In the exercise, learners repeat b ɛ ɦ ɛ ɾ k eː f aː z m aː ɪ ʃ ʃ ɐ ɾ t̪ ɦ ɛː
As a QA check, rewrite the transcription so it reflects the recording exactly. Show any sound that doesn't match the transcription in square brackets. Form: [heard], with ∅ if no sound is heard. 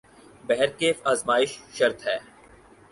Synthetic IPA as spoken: b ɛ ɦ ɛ ɾ k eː f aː z m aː ɪ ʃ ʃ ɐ ɾ t̪ ɦ ɛː